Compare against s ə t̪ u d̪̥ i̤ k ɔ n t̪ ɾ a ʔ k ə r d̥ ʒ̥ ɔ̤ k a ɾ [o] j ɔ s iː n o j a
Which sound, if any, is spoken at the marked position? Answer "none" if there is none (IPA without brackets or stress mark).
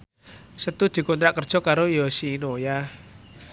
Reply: o